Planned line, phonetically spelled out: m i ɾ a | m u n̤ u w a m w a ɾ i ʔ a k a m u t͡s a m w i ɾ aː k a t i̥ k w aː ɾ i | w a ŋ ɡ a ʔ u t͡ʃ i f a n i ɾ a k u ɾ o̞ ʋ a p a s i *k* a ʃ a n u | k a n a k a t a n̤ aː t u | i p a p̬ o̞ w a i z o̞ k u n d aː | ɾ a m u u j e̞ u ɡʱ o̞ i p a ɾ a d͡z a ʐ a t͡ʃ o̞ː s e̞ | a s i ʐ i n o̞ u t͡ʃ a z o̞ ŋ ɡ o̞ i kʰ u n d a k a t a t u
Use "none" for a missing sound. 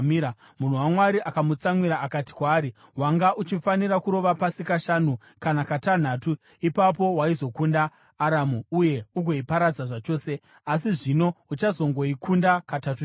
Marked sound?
k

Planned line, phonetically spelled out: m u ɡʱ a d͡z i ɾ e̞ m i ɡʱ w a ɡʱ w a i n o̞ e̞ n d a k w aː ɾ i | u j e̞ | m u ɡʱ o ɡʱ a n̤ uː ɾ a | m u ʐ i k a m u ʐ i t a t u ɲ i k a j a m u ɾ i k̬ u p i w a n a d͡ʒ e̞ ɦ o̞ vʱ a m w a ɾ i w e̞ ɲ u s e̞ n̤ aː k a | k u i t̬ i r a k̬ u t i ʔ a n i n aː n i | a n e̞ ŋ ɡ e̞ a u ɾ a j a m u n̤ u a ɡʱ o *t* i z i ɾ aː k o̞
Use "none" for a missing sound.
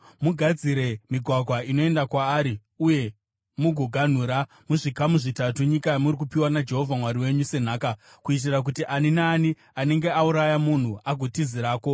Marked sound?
t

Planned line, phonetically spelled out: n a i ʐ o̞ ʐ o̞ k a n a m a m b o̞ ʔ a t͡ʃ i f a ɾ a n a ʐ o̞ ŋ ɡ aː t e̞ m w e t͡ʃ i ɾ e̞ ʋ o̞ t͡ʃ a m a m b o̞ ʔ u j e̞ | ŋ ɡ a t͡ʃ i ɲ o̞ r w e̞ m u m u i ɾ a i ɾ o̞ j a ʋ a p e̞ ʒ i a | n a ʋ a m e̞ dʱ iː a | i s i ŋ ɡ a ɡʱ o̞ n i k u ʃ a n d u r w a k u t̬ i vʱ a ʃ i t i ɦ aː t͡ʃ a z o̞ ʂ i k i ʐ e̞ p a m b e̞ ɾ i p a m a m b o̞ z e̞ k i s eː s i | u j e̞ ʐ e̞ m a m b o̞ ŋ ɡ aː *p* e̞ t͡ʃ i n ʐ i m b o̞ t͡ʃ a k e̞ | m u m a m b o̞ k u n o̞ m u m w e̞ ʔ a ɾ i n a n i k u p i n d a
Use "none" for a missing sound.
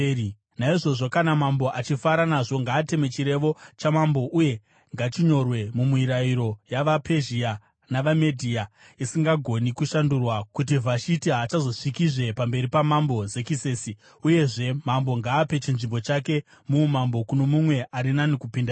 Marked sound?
p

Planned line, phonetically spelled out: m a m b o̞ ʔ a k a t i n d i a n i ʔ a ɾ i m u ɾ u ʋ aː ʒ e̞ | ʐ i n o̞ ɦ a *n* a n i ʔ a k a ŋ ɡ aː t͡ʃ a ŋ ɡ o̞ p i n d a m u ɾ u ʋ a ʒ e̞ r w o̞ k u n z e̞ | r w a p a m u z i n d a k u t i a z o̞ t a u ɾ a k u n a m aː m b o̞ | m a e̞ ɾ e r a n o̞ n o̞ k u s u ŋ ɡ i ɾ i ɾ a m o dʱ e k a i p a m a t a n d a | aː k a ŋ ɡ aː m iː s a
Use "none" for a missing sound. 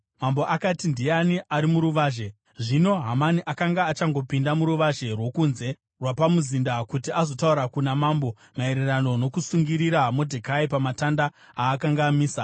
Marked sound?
m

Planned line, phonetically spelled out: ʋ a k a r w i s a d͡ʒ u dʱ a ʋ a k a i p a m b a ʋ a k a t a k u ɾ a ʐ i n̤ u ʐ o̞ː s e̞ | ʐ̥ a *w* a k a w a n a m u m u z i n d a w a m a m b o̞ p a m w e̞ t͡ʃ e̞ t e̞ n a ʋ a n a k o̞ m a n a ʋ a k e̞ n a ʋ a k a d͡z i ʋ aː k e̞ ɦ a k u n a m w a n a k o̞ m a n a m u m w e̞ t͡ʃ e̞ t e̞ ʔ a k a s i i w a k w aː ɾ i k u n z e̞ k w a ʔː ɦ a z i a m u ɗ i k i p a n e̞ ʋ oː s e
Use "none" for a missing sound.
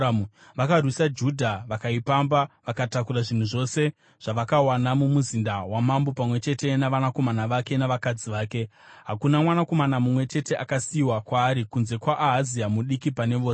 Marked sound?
ʋ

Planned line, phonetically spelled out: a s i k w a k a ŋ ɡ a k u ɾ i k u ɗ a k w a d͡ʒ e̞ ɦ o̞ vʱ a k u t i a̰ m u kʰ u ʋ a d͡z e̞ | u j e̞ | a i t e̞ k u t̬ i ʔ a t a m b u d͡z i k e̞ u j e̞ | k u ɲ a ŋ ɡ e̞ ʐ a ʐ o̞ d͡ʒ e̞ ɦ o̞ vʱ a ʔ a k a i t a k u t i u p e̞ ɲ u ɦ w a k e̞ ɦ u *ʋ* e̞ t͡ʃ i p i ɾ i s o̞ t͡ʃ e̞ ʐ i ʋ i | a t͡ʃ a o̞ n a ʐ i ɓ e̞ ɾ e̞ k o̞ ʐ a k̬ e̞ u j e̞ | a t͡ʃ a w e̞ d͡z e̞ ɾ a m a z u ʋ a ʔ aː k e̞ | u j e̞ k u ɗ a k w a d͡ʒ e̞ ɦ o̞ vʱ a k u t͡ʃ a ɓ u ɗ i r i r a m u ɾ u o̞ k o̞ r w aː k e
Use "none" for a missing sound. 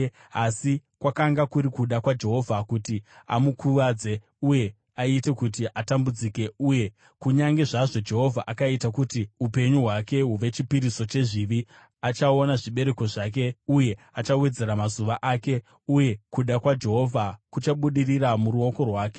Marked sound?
ʋ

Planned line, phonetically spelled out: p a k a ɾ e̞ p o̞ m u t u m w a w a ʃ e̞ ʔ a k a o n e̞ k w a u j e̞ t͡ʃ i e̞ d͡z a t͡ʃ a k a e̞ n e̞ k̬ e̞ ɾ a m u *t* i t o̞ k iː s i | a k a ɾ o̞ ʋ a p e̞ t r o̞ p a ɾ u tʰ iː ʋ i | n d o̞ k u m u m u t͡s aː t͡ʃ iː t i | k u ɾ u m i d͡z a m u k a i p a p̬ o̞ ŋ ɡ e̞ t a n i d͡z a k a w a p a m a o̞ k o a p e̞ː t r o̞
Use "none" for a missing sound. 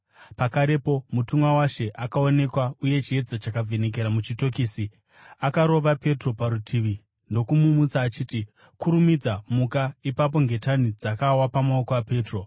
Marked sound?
t͡ʃ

